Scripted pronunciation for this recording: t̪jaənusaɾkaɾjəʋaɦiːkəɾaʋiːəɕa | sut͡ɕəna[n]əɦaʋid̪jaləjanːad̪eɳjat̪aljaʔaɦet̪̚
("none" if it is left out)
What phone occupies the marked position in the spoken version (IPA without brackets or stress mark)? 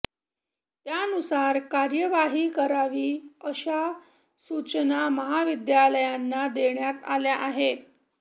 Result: m